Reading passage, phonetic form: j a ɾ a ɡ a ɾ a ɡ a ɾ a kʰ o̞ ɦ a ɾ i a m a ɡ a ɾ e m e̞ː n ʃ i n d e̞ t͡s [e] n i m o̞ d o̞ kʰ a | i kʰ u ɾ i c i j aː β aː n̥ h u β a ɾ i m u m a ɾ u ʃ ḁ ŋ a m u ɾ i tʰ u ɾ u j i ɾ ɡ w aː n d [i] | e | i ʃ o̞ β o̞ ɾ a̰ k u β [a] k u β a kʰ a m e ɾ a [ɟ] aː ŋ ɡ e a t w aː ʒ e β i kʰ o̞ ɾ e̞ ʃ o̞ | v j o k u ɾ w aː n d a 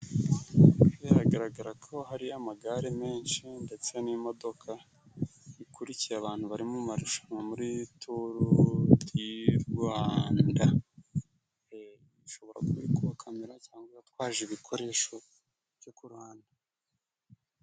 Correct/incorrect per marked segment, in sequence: correct, incorrect, incorrect, incorrect

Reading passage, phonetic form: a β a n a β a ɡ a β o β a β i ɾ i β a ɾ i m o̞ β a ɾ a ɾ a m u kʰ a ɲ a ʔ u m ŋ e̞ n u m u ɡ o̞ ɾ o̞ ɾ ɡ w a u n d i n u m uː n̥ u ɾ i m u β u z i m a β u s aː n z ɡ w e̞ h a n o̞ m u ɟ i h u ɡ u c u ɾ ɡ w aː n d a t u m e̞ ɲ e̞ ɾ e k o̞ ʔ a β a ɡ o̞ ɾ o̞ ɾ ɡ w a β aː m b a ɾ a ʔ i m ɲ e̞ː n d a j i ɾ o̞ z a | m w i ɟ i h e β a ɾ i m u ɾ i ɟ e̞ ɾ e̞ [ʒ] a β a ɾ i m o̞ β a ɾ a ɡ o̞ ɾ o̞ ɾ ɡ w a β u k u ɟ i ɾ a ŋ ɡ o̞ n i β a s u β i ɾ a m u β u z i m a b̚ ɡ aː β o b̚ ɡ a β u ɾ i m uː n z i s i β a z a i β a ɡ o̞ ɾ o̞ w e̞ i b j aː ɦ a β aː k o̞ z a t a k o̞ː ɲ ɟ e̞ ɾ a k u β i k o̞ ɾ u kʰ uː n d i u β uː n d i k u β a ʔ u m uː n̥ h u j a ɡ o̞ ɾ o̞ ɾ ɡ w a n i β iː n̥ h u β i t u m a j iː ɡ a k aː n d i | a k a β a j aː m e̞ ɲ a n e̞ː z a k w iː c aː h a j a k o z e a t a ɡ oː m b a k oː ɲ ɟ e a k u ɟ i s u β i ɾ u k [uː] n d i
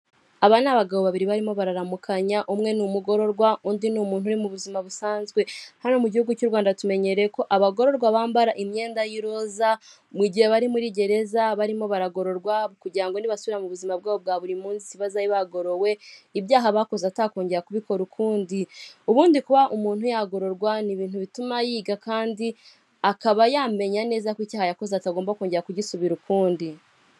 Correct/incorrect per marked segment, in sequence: incorrect, correct

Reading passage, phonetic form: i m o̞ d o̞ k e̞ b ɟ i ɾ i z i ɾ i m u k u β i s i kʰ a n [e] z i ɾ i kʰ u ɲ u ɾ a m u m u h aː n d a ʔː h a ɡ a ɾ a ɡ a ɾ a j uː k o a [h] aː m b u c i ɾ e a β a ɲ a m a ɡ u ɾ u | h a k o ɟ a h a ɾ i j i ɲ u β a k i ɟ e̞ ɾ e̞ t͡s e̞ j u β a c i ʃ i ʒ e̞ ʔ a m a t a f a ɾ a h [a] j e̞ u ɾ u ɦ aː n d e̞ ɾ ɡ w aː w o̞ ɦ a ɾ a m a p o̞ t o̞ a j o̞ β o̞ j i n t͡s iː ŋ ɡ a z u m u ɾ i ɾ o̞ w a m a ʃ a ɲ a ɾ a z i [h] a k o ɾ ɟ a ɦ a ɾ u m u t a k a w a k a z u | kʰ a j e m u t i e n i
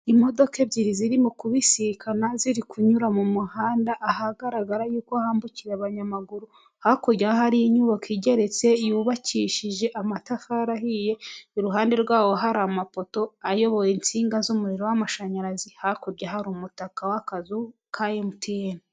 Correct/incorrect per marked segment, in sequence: incorrect, correct, incorrect, correct

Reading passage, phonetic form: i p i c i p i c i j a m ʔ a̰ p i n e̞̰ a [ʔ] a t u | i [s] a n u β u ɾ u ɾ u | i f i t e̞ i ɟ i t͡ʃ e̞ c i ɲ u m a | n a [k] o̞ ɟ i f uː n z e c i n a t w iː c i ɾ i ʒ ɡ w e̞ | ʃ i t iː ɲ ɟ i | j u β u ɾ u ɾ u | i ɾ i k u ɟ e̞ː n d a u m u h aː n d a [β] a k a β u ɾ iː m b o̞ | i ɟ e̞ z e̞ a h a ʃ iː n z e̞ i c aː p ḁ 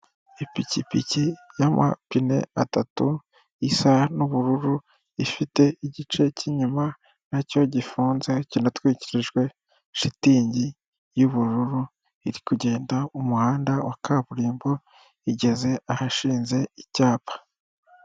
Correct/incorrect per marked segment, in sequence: incorrect, correct, incorrect, incorrect

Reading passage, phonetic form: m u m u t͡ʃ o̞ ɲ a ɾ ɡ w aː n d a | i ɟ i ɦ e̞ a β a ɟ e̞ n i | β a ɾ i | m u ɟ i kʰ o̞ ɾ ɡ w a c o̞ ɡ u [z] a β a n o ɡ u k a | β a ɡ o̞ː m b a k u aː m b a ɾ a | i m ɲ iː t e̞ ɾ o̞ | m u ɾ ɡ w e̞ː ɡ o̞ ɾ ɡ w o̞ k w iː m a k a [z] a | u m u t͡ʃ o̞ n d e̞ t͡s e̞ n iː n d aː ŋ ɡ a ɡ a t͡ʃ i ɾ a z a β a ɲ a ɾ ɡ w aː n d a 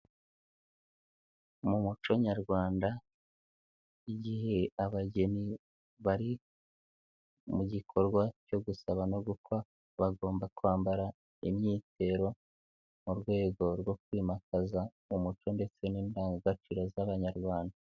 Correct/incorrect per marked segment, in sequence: incorrect, correct

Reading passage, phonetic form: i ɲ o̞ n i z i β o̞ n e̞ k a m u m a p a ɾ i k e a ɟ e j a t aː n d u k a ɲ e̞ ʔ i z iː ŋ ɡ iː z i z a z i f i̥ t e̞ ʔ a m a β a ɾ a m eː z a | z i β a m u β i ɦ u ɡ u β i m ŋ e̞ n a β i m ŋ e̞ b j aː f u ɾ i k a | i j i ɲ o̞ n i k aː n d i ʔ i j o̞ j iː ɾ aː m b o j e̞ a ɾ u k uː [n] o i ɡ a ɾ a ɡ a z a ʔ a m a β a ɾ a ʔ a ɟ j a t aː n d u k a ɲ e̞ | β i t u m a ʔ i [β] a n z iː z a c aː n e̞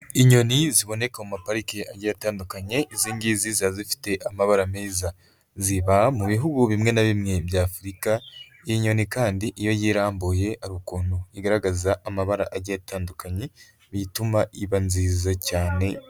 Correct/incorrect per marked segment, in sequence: correct, correct

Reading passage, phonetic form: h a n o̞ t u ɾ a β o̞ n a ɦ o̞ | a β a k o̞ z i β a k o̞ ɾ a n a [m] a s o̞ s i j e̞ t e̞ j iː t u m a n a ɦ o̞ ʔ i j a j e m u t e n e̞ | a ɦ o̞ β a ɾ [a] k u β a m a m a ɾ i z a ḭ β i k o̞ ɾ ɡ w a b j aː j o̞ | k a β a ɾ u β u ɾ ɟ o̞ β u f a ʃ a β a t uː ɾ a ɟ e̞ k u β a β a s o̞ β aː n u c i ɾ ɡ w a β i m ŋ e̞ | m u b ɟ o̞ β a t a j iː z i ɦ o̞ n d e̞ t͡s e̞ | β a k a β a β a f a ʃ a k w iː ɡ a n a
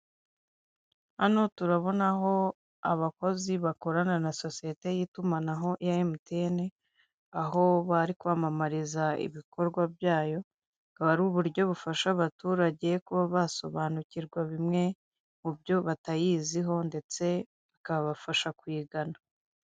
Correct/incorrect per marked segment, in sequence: incorrect, incorrect

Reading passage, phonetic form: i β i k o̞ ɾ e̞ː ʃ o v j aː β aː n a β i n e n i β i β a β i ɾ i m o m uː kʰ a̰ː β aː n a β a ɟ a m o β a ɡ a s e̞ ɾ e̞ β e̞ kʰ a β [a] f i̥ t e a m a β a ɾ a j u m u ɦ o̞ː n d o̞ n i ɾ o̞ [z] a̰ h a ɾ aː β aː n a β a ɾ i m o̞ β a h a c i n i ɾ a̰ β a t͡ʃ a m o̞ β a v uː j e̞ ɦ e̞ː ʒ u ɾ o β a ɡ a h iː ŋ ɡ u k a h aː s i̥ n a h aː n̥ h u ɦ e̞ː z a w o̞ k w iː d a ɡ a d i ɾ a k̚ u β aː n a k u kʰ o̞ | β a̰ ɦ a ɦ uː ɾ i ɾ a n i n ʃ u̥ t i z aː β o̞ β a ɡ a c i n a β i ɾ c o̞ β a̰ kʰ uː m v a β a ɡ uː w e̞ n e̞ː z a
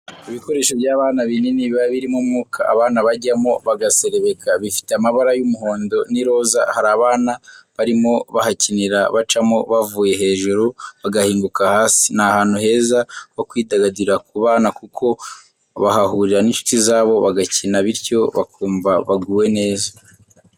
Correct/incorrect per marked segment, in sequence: incorrect, correct

